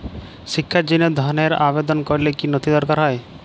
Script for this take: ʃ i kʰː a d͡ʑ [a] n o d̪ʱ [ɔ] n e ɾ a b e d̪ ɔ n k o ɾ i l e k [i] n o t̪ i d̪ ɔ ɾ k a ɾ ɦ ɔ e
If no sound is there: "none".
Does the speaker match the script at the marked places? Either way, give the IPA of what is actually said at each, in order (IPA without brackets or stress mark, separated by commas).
i, ɔ, i